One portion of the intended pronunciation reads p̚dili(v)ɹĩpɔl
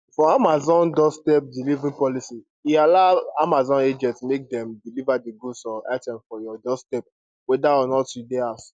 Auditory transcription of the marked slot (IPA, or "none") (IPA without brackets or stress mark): v